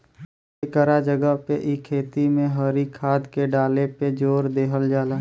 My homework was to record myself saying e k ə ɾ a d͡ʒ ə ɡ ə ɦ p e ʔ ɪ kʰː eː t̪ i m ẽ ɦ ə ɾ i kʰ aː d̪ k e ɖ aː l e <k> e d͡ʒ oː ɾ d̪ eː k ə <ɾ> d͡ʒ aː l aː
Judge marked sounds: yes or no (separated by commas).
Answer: no, no